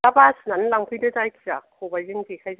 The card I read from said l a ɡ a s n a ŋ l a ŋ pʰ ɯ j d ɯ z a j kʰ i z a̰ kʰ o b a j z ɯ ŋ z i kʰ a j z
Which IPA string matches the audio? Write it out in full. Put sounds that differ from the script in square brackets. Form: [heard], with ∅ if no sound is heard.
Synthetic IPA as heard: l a [b] a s n a [n] l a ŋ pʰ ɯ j d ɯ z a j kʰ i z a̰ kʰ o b a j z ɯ ŋ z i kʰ a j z